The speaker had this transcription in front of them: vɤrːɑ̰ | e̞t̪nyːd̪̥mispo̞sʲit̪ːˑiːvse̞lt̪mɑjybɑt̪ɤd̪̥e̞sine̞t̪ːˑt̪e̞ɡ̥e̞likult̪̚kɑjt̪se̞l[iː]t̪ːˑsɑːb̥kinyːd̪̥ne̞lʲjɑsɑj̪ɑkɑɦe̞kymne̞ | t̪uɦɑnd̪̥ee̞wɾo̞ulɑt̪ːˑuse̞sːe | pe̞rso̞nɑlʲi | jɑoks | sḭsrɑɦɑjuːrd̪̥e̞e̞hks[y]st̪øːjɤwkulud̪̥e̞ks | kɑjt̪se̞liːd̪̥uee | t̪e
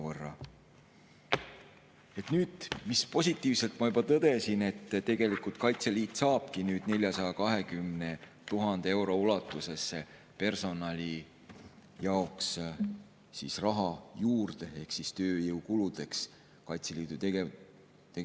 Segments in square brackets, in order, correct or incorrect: correct, incorrect: i

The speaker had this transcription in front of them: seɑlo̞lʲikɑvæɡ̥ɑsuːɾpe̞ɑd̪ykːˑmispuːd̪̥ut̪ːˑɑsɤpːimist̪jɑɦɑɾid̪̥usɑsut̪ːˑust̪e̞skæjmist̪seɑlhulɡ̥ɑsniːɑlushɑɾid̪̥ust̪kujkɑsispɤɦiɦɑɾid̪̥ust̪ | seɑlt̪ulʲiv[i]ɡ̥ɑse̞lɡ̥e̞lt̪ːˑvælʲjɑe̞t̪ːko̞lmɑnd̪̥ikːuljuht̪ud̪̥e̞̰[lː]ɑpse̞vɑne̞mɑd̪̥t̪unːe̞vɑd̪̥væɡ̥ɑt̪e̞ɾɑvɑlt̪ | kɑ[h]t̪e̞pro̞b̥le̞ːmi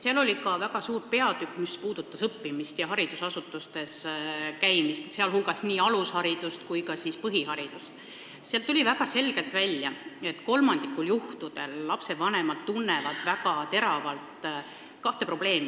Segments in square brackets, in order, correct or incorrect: incorrect: æ, correct, correct

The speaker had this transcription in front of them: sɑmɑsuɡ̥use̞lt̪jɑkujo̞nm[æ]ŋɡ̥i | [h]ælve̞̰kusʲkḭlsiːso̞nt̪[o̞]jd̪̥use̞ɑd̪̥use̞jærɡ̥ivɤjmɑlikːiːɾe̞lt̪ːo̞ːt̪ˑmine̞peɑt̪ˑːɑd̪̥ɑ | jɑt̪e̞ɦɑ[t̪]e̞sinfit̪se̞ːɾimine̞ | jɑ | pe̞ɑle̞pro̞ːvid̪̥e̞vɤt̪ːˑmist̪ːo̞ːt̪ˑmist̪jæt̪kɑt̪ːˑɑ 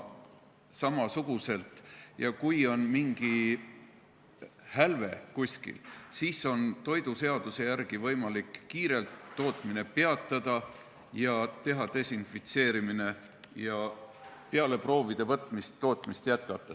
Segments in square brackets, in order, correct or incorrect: incorrect: i, correct, correct, correct

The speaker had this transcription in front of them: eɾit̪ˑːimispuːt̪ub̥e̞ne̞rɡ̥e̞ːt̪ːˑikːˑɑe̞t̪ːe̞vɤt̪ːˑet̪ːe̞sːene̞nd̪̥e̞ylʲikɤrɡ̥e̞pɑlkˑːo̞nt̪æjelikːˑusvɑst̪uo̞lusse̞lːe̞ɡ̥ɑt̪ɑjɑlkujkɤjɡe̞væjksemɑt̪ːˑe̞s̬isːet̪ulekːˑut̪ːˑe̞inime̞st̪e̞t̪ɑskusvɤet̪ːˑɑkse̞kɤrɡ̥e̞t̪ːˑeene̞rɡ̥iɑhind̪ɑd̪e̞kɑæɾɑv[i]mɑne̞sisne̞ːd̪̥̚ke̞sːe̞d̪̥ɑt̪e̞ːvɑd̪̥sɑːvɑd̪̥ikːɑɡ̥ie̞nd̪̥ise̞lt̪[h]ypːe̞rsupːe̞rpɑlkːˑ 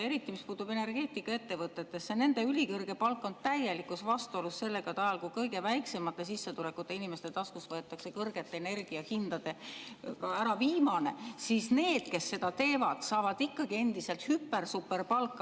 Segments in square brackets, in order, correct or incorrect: incorrect: iː, correct

